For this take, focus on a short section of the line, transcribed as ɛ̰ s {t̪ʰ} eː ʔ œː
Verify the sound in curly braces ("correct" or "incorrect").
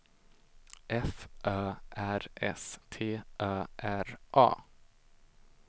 correct